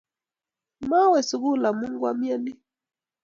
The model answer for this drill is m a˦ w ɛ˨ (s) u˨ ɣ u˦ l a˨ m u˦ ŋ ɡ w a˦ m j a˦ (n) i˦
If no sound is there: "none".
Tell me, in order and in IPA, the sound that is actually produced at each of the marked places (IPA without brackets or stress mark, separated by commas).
s, n